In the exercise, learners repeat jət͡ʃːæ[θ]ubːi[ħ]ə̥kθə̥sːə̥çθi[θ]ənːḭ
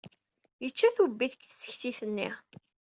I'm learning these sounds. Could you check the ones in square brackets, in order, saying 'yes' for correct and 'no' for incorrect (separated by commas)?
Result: yes, no, yes